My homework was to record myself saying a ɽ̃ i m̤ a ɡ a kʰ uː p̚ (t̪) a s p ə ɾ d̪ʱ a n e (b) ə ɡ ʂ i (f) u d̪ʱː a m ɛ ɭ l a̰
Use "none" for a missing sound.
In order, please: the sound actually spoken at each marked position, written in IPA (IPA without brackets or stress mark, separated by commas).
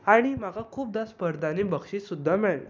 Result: d̪, b, s